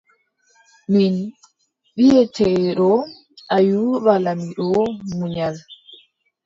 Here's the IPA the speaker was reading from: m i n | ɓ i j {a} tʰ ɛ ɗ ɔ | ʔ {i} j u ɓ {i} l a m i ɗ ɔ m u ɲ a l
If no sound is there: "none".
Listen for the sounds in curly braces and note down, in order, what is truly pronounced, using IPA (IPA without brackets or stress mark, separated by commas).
ɛ, a, a